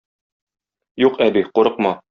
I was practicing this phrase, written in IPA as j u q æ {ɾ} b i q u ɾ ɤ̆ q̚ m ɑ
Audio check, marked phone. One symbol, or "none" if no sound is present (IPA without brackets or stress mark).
none